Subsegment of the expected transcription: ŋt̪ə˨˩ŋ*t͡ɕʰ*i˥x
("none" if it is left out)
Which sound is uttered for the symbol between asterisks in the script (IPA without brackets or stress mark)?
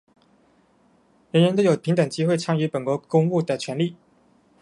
t͡ɕ